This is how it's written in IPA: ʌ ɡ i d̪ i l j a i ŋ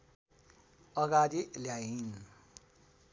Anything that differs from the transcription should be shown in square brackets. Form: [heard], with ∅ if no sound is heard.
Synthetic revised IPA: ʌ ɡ [a] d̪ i l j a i [n]